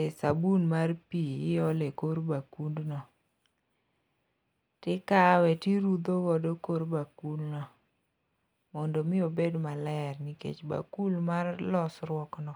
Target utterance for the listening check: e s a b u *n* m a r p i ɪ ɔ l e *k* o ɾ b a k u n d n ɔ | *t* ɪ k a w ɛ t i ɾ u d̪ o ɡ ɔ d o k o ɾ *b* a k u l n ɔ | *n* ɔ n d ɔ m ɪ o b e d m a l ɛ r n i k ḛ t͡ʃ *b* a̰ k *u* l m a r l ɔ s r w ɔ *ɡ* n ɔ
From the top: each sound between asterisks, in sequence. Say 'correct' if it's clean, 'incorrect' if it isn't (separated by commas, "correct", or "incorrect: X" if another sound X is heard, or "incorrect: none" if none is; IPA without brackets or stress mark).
correct, correct, correct, correct, incorrect: m, correct, correct, incorrect: k